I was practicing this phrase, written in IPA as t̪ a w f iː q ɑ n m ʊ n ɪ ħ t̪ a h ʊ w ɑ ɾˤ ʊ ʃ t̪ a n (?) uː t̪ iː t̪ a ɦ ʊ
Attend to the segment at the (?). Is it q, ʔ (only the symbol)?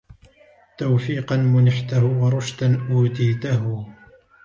ʔ